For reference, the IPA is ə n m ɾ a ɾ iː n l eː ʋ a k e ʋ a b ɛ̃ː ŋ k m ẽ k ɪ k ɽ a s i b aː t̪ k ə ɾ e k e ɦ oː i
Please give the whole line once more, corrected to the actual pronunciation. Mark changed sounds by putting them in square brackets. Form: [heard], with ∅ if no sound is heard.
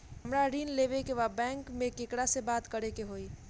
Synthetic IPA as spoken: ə [∅] m ɾ a ɾ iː n l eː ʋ [e] k e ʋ a b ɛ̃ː ŋ k m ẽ k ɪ k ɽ a s [e] b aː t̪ k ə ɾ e k e ɦ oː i